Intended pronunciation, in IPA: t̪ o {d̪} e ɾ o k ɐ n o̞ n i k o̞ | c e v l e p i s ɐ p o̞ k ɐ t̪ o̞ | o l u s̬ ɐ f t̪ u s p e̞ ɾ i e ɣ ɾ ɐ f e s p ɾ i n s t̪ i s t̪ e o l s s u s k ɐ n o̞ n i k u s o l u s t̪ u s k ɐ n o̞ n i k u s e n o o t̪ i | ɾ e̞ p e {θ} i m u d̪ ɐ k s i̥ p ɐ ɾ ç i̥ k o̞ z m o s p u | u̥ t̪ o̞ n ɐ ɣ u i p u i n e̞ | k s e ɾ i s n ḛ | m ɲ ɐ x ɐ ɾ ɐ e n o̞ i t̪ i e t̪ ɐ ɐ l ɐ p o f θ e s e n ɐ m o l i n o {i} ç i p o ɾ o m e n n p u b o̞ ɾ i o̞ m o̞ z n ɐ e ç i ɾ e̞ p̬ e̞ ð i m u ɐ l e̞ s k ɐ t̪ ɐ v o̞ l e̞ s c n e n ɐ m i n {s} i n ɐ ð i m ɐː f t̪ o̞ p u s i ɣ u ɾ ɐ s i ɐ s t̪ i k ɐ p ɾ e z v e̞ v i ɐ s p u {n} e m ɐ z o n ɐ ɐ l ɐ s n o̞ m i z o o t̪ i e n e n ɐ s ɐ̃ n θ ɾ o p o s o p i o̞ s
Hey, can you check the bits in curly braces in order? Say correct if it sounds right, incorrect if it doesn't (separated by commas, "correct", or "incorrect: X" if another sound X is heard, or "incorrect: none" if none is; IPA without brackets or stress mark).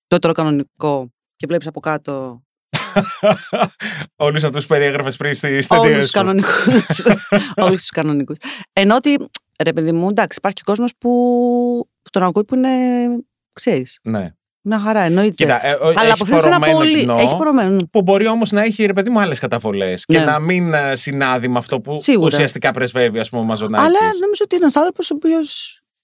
incorrect: t̪, incorrect: ð, incorrect: e, correct, incorrect: m